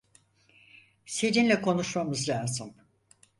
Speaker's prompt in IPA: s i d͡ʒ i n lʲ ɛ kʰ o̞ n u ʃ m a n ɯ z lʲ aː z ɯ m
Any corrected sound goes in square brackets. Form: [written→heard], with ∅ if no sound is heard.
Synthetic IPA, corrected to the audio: s [i→e] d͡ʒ i n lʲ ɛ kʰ o̞ n u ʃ m a [n→m] ɯ z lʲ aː z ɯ m